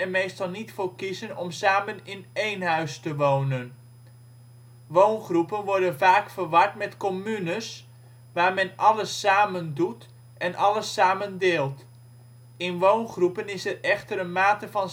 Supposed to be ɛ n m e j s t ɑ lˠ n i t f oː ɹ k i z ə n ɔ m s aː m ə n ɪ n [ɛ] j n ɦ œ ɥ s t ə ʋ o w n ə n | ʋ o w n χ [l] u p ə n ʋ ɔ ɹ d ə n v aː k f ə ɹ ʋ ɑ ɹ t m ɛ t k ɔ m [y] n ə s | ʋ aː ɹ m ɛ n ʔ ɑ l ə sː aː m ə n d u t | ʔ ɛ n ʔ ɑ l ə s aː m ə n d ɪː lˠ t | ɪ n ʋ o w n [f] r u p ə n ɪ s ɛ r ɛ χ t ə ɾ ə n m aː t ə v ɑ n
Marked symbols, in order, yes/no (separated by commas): no, no, yes, no